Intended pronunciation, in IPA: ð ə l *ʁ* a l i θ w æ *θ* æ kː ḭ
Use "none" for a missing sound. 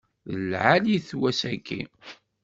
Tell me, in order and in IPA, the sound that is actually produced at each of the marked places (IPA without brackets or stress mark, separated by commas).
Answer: ʕ, s